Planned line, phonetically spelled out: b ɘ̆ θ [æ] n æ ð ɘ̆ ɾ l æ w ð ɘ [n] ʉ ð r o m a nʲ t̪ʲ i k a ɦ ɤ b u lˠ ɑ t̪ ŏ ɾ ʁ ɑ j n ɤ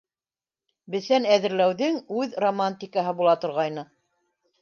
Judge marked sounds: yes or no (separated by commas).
yes, no